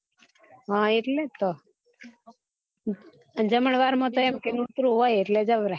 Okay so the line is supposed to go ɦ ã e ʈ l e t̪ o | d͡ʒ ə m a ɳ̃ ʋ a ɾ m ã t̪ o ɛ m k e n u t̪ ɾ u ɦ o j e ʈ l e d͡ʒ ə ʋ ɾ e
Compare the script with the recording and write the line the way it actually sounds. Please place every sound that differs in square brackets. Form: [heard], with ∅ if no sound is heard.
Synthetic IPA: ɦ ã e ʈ l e t̪ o | d͡ʒ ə m [ə] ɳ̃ ʋ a ɾ m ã t̪ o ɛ m k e n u t̪ ɾ u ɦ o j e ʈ l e d͡ʒ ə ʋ ɾ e